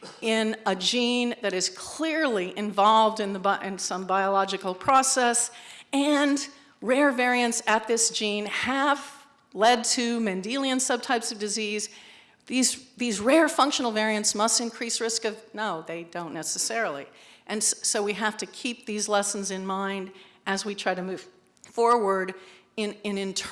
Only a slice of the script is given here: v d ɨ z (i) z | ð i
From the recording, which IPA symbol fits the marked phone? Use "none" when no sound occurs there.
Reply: i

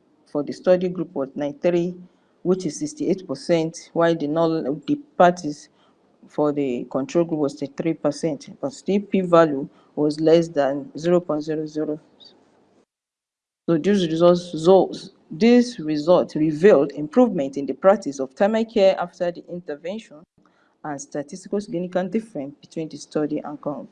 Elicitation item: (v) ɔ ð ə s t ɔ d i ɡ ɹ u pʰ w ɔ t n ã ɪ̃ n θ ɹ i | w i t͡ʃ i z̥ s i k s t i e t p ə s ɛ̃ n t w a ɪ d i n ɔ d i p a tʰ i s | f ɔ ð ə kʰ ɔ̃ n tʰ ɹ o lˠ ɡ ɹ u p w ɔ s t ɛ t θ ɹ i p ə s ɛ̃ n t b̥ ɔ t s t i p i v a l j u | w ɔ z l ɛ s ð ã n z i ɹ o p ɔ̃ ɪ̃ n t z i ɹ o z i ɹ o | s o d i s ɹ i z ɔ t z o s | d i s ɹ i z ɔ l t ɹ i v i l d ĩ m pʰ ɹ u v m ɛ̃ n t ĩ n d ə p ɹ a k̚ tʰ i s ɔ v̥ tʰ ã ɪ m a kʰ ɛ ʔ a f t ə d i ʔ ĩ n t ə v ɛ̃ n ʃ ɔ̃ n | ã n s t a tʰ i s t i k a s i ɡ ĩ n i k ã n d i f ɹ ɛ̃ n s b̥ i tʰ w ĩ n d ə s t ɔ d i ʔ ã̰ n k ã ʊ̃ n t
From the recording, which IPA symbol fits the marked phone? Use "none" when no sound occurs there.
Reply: f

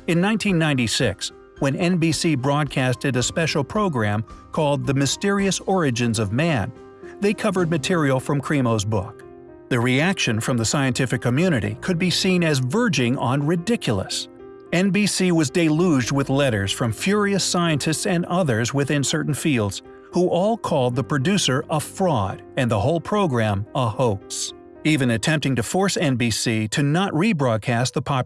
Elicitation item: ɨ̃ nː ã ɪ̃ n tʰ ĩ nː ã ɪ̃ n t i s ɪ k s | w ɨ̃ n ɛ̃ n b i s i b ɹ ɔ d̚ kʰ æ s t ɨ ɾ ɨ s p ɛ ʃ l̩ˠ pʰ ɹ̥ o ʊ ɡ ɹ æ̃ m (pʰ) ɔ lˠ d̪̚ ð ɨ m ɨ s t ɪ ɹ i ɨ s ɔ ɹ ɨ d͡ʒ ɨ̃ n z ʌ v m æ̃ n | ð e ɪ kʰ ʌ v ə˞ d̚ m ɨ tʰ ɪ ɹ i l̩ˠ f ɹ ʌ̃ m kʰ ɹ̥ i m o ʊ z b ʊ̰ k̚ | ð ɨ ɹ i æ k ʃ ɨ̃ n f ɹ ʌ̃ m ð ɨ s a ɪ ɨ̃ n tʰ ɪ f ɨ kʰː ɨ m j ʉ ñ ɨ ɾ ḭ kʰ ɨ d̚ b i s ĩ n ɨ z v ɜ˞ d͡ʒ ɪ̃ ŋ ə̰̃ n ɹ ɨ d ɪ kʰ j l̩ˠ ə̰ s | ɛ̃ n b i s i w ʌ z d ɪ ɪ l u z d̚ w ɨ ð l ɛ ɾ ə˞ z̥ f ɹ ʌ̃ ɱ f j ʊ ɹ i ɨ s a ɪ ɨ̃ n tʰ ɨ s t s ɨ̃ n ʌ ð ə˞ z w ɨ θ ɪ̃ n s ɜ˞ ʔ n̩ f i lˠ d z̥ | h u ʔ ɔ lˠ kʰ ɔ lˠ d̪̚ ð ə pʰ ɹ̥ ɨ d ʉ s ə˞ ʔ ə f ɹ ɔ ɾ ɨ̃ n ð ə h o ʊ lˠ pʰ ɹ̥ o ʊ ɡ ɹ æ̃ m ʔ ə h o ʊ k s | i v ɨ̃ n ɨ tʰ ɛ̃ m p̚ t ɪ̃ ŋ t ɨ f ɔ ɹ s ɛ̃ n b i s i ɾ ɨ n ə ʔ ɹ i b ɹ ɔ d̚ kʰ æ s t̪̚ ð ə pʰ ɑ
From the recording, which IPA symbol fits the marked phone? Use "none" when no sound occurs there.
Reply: kʰ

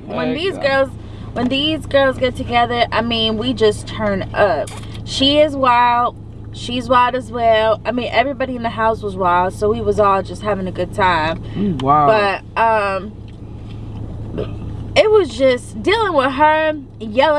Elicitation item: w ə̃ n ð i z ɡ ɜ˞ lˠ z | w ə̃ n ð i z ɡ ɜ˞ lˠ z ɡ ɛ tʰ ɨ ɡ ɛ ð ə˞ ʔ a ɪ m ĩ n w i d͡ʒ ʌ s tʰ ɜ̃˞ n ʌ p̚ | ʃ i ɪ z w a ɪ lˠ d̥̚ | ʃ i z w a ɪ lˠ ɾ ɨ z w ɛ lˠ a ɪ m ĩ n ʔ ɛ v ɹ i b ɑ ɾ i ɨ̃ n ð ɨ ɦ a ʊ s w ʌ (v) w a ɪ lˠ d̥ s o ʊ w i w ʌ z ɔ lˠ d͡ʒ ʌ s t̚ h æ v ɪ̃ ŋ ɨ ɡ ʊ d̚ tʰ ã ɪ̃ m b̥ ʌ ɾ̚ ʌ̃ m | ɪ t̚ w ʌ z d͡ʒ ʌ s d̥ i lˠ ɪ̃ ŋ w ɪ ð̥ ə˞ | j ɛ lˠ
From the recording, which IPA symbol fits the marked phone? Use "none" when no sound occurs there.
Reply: z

